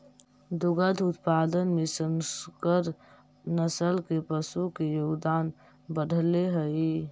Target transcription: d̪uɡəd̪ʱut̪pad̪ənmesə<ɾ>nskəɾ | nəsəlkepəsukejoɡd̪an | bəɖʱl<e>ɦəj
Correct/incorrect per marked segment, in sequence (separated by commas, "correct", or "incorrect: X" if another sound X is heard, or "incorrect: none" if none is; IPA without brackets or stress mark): incorrect: none, correct